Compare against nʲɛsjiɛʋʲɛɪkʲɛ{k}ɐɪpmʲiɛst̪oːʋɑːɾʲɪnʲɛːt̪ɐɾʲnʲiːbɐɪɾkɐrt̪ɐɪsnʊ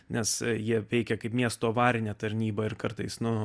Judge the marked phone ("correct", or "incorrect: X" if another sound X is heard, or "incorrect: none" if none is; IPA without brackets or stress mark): correct